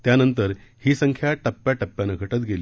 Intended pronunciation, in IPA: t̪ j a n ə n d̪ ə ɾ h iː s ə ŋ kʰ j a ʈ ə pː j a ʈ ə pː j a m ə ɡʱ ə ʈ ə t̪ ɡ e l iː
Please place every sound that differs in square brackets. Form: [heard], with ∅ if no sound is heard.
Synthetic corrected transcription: t̪ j a n ə n [t̪] ə ɾ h iː s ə ŋ kʰ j a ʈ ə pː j a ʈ ə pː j a [n] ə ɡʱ ə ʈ ə t̪ ɡ e l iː